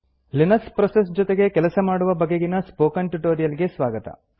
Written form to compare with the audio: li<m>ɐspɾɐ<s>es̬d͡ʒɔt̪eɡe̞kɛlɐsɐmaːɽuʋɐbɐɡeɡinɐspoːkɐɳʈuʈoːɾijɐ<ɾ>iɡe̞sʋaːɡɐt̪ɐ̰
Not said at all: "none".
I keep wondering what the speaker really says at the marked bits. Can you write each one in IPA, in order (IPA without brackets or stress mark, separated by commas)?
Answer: n, s, l